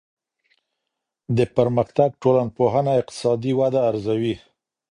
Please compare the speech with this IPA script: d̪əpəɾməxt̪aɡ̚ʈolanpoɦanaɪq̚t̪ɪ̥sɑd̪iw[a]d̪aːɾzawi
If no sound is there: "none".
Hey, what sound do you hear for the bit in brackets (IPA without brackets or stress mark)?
a